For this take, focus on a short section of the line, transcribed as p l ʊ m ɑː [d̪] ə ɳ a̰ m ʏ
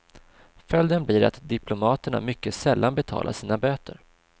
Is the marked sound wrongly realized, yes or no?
yes